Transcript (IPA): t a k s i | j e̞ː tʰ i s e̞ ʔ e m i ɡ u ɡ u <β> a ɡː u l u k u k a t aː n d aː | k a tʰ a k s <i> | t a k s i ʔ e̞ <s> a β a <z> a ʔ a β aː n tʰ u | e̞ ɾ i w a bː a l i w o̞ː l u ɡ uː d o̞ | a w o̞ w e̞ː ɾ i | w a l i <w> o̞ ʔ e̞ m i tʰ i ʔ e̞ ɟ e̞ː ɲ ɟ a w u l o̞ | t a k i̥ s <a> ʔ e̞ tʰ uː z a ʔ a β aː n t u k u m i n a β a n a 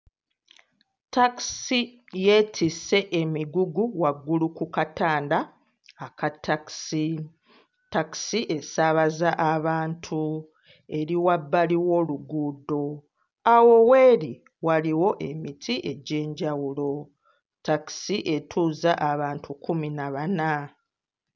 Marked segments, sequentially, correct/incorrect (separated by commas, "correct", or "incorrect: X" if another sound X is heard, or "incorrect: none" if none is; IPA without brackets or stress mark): incorrect: w, correct, correct, correct, correct, incorrect: i